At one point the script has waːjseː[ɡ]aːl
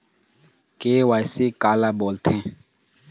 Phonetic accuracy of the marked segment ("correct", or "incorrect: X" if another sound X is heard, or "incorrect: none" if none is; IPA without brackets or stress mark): incorrect: k